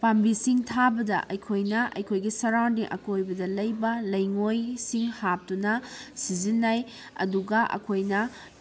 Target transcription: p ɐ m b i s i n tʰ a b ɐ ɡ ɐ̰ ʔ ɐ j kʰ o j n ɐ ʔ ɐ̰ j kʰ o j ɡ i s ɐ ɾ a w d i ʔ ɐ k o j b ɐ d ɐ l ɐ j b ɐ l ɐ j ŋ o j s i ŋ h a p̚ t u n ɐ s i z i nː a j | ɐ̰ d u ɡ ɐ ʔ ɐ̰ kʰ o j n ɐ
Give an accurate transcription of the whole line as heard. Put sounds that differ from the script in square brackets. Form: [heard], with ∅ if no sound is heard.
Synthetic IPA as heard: p [a] m b i s i [ŋ] tʰ a b ɐ [d] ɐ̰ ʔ ɐ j kʰ o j n ɐ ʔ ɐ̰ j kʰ o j ɡ i s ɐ ɾ a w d i ʔ ɐ k o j b ɐ d ɐ l ɐ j b ɐ l ɐ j ŋ o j s i ŋ h a p̚ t u n ɐ s i z i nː a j | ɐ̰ d u ɡ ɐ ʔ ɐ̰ kʰ o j n ɐ